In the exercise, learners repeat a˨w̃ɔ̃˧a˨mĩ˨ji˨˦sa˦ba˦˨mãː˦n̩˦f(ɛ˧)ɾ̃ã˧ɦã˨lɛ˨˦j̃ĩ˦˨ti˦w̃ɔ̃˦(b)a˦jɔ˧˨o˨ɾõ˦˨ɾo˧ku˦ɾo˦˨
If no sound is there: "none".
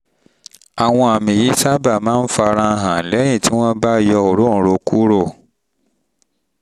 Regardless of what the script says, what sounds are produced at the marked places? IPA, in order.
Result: a˧, b

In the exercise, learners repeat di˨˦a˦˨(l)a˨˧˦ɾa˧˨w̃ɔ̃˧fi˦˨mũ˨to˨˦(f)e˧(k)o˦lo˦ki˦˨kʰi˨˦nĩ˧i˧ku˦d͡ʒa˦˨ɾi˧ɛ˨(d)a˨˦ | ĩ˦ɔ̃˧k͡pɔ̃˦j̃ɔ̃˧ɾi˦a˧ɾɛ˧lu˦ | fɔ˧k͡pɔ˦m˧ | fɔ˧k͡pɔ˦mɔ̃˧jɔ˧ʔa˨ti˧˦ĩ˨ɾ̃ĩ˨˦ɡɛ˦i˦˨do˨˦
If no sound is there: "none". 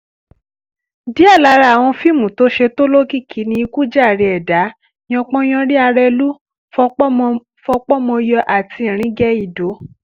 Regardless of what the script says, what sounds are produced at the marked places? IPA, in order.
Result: l, ʃ, t, d

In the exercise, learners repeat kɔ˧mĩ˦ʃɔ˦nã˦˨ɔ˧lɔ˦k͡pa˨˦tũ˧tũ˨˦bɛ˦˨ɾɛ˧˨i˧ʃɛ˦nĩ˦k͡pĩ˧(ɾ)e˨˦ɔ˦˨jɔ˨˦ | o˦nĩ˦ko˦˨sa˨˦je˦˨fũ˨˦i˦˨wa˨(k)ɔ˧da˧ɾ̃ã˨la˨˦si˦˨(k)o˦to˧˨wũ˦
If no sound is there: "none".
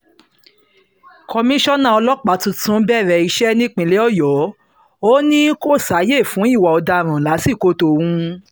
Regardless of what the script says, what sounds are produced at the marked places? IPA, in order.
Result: l, none, k

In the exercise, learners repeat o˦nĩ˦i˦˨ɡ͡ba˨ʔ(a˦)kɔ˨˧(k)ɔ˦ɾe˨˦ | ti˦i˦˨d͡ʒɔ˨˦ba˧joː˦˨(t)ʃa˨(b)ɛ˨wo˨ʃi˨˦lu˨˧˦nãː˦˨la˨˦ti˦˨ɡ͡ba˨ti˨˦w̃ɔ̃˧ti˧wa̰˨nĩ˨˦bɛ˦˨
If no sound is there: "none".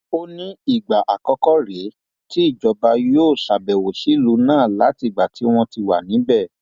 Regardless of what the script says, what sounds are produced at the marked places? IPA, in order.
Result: a˨, k, none, b

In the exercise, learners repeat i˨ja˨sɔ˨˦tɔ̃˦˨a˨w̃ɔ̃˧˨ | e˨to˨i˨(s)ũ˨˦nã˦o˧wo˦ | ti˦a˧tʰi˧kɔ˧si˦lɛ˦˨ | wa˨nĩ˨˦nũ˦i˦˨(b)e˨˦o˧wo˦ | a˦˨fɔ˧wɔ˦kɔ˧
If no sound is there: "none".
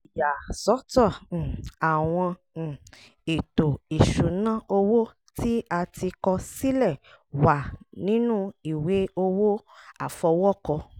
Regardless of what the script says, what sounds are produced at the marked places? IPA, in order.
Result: ʃ, w

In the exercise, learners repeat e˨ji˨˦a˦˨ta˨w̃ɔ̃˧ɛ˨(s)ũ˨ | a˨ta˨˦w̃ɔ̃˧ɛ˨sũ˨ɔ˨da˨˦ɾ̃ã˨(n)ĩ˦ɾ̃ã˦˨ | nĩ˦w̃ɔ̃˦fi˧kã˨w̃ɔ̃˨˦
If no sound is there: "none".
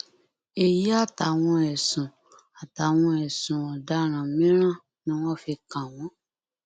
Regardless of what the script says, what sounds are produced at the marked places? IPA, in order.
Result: s, m

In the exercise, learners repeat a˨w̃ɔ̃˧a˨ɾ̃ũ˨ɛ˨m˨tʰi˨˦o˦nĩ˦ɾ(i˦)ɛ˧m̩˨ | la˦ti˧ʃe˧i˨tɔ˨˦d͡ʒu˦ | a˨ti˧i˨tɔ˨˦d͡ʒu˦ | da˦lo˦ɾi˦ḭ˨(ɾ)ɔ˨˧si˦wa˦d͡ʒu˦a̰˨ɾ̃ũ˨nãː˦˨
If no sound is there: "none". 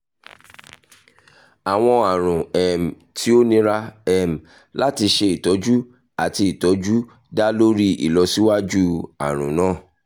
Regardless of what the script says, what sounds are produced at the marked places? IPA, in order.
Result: a˦, l

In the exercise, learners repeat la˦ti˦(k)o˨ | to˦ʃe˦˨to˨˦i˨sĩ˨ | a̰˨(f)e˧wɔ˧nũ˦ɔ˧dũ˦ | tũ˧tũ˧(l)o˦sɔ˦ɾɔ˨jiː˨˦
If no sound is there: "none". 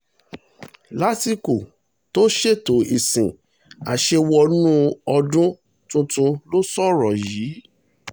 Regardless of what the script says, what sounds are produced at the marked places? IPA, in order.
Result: k, ʃ, l

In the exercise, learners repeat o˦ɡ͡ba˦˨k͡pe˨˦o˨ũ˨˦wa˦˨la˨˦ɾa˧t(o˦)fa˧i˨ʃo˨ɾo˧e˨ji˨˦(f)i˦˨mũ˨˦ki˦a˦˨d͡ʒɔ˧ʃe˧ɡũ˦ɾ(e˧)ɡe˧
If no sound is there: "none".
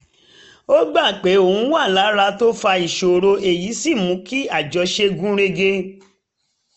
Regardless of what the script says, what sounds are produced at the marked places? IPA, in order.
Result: o˦, s, e˧

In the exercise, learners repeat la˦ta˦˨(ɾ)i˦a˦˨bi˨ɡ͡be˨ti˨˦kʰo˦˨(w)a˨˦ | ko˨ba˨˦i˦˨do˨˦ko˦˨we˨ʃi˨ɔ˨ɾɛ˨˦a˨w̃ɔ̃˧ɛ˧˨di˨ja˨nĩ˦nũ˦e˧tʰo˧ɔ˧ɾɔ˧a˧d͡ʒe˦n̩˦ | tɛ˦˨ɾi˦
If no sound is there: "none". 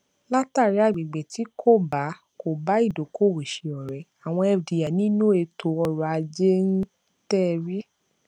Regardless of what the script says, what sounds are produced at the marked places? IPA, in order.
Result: ɾ, b

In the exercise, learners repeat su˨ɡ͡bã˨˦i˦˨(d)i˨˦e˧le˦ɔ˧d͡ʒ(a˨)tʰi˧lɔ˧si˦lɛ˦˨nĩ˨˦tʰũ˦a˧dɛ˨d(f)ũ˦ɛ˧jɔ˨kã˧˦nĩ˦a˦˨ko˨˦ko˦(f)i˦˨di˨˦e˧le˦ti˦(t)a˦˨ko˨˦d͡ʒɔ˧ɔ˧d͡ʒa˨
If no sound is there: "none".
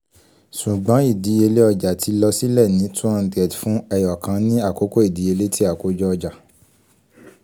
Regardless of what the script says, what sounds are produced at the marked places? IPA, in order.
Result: d, a˨, f, none, none

